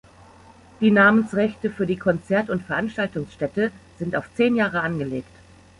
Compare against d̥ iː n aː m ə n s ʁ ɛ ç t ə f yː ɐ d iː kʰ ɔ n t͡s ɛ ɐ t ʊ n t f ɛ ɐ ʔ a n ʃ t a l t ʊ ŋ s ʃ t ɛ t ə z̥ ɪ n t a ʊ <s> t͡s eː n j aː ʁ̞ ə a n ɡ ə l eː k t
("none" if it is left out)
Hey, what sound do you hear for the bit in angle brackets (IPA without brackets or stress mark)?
f